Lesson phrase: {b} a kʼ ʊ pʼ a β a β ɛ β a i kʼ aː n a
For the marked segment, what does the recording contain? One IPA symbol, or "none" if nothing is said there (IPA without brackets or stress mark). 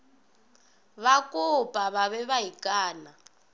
β